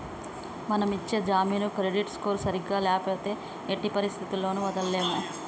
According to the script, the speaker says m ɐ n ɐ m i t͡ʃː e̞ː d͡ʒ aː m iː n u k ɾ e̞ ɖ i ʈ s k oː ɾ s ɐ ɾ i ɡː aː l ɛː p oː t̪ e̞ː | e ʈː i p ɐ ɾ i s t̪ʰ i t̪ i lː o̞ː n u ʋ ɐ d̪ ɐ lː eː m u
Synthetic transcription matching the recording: m ɐ n ɐ m i t͡ʃː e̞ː d͡ʒ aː m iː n u k ɾ e̞ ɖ i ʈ s k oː ɾ s ɐ ɾ i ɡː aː l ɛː p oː t̪ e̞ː | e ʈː i p ɐ ɾ i s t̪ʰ i t̪ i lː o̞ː n u ʋ ɐ d̪ ɐ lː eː m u